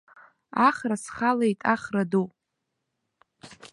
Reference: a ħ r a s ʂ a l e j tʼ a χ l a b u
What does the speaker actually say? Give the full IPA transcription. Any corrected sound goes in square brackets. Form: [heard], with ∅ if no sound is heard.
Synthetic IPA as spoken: a [χ] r a s [χ] a l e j tʼ a χ [r] a [d] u